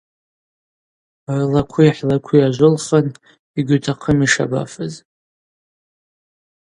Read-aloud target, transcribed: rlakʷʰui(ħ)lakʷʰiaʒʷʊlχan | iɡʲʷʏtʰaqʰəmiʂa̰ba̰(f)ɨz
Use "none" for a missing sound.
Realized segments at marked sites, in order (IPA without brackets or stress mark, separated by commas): ħ, f